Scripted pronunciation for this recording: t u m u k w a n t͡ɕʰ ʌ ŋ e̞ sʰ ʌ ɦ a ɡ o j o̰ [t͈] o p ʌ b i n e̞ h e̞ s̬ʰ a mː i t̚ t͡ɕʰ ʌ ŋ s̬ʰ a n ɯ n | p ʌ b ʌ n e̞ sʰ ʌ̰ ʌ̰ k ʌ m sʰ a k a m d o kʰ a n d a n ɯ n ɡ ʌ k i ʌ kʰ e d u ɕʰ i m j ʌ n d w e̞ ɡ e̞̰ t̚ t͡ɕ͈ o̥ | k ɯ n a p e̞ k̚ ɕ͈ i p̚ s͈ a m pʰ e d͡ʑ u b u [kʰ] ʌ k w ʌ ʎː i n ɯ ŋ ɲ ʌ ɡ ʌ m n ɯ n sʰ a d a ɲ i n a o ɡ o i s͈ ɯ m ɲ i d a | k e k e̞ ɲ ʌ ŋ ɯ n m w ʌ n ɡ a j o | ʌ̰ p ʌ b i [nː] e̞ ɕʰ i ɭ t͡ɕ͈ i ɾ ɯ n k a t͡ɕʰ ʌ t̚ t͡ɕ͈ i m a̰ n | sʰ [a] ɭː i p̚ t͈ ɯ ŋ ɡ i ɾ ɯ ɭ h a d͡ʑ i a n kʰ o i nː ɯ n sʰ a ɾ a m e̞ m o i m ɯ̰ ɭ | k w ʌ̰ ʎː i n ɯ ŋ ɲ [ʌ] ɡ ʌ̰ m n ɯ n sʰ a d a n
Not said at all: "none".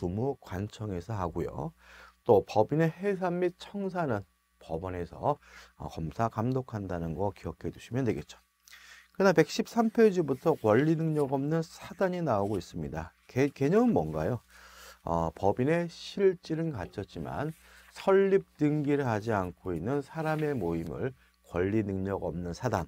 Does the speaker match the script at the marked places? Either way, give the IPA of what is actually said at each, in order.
t͈, tʰ, n, ʌ, ʌ

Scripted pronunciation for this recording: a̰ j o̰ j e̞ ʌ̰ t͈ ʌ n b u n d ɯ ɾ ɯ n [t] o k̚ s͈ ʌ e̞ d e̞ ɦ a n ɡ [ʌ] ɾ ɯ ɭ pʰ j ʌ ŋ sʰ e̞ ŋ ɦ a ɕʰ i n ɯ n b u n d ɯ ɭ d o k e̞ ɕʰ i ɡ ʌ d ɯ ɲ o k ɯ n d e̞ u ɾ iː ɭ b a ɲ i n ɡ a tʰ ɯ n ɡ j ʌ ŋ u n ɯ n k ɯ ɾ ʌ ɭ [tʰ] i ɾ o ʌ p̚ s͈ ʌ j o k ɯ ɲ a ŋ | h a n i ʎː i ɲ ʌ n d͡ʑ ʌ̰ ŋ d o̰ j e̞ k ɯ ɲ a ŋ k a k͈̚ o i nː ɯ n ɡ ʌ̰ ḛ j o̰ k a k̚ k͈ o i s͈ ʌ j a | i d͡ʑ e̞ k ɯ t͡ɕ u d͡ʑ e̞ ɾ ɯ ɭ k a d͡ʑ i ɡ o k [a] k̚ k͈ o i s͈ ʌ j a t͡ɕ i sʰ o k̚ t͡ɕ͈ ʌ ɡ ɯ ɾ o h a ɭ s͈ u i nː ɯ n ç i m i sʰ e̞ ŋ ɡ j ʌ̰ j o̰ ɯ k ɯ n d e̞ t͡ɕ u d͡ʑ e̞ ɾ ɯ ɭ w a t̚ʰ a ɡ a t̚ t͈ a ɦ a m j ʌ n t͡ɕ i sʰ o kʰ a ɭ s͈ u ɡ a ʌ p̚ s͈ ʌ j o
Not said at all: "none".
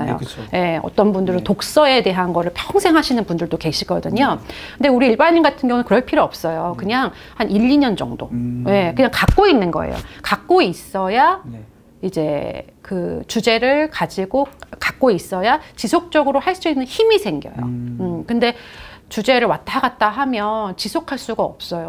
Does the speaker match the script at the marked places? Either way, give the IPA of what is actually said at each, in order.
t, ʌ, pʰ, a

